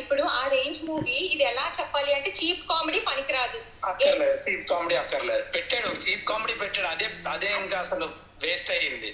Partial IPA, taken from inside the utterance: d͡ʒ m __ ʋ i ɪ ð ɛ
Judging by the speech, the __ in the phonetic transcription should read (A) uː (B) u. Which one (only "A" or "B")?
A